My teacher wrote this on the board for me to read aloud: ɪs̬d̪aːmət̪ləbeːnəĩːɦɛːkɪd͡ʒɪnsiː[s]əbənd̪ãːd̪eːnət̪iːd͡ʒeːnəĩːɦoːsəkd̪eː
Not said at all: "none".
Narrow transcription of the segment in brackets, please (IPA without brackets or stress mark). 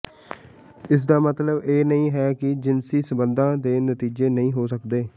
s